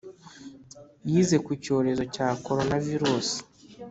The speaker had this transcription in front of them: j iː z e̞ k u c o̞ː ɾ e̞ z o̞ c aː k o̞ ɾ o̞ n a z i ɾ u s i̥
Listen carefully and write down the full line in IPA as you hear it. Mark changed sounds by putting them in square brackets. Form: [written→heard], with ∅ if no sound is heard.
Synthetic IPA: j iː z e̞ k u c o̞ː ɾ e̞ z o̞ c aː k o̞ ɾ o̞ n a [z→v] i ɾ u s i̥